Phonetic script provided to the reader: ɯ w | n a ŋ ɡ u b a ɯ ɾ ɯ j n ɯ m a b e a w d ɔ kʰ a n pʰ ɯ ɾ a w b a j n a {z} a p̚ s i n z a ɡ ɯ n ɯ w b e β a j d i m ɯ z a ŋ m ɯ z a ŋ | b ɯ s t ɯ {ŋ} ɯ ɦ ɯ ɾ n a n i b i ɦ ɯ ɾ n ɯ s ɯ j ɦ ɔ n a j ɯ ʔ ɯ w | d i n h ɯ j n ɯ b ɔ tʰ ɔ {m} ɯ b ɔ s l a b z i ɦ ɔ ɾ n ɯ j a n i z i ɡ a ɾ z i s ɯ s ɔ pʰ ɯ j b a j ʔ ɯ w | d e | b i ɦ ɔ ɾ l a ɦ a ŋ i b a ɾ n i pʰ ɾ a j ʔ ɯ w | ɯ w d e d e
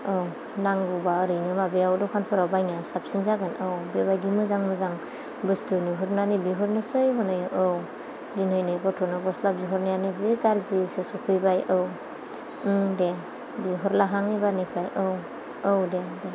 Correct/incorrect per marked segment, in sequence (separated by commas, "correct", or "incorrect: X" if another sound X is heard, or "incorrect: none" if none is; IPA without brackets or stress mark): incorrect: s, incorrect: n, incorrect: n